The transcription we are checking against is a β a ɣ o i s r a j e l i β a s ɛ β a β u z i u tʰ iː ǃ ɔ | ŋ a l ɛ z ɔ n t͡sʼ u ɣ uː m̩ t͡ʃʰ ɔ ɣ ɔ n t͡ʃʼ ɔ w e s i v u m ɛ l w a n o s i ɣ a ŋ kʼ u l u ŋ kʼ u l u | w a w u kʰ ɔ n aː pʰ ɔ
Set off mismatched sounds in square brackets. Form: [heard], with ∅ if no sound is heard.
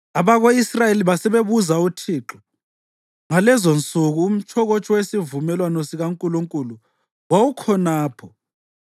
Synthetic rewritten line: a β a ɣ o i s r a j e l i β a s ɛ β [e] β u z [a] u tʰ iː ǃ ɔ | ŋ a l ɛ z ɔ n t͡sʼ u ɣ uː m̩ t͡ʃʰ ɔ ɣ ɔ [∅] t͡ʃʼ ɔ w e s i v u m ɛ l w a n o s i ɣ a ŋ kʼ u l u ŋ kʼ u l u | w a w u kʰ ɔ n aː pʰ ɔ